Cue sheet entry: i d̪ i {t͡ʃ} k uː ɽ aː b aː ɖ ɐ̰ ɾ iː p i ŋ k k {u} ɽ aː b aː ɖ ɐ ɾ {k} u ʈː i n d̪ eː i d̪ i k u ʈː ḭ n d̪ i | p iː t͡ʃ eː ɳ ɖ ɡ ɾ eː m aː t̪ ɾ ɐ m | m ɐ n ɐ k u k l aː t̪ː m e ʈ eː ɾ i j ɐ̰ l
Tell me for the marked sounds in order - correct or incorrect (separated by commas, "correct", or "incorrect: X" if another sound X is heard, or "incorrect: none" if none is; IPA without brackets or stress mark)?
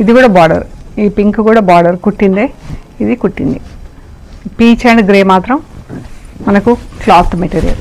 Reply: incorrect: none, incorrect: uː, correct